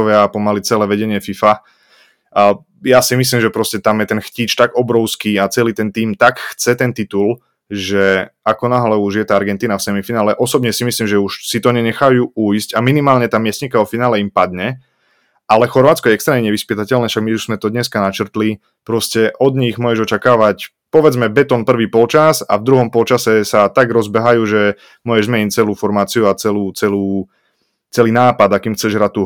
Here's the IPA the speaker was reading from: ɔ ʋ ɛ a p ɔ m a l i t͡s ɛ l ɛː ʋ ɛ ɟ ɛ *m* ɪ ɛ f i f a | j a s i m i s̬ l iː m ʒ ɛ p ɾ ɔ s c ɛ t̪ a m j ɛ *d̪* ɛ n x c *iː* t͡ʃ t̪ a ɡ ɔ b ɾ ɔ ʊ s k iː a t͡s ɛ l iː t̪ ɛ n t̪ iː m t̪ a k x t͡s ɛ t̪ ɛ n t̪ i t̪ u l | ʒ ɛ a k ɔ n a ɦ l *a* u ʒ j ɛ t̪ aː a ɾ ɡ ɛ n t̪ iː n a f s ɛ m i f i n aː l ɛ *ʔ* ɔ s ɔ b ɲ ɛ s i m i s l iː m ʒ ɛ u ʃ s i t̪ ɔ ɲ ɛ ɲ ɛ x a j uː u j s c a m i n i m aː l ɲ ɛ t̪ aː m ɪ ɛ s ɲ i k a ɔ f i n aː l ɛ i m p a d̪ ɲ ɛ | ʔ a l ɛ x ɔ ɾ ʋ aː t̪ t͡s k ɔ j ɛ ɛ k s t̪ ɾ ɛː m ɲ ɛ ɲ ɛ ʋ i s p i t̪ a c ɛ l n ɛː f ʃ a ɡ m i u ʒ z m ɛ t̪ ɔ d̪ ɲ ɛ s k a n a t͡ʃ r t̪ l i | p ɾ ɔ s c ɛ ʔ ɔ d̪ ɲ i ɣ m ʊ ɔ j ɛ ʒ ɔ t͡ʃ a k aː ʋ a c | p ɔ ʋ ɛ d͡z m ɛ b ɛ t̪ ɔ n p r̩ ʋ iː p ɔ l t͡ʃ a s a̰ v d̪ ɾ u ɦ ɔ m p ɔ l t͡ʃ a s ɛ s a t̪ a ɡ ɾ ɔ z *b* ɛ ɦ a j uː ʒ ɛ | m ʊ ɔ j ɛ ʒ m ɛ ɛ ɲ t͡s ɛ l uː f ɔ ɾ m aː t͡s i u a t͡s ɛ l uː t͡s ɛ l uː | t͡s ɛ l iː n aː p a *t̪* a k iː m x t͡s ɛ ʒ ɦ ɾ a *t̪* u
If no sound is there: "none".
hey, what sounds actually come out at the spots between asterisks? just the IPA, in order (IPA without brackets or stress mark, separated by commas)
ɲ, t̪, iː, ɛ, ʔ, b, d̪, t̪